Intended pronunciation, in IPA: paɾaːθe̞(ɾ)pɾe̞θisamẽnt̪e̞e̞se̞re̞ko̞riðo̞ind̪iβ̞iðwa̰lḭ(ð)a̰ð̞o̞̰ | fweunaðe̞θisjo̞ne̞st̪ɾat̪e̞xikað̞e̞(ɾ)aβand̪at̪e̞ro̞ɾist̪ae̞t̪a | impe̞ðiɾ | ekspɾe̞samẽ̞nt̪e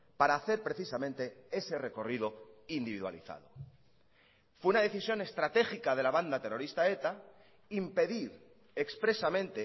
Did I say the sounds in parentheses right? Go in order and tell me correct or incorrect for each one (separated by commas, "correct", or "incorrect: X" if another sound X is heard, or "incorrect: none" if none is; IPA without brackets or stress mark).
correct, incorrect: θ, incorrect: l